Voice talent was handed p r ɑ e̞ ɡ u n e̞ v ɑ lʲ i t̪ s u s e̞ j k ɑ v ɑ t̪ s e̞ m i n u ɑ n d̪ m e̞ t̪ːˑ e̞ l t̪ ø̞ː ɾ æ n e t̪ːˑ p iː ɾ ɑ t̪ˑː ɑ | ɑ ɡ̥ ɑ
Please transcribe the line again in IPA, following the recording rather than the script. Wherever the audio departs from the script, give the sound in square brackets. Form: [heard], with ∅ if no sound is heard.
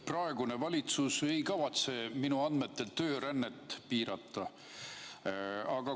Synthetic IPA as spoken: p r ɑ e̞ ɡ u n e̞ v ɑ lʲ i t̪ s u s e̞ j k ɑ v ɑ t̪ s e̞ m i n u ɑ n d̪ m e̞ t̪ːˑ e̞ l t̪ ø̞ː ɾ æ [nː] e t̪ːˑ p iː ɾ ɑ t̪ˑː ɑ | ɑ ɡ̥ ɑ